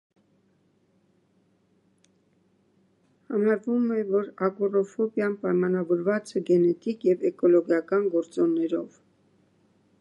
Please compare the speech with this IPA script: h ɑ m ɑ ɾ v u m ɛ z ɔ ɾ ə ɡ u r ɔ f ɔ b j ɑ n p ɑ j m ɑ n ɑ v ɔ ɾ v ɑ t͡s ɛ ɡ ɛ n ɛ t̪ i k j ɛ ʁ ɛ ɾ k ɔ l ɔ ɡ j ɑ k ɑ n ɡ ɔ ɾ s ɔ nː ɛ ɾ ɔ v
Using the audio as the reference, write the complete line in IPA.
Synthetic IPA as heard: h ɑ m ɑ ɾ v u m ɛ v ɔ ɾ ɑ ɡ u r ɔ f ɔ b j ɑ n p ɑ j m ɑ n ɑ v ɔ ɾ v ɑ t͡s ɛ ɡ ɛ n ɛ t̪ i k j ɛ v ɛ k ɔ l ɔ ɡ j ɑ k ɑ n ɡ ɔ ɾ t͡s ɔ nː ɛ ɾ ɔ v